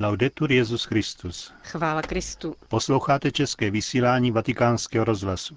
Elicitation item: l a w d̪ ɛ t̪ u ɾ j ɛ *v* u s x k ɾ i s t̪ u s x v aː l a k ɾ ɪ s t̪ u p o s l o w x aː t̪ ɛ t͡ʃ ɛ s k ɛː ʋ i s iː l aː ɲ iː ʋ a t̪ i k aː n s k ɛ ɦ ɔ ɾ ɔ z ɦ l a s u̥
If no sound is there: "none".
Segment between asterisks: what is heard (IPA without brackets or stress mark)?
z